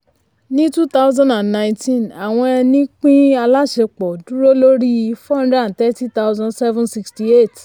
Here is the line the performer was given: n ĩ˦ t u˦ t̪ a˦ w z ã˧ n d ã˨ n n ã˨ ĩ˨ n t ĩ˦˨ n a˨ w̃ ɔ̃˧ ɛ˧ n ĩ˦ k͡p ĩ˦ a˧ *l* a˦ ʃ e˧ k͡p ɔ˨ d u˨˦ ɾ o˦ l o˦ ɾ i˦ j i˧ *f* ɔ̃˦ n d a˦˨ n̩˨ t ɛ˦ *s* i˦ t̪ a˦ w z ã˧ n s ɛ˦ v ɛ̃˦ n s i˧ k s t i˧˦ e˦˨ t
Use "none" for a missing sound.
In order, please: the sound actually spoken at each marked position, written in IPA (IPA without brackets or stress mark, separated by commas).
l, f, t